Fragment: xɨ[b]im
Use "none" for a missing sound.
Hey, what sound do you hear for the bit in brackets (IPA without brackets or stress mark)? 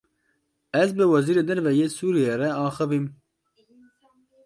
v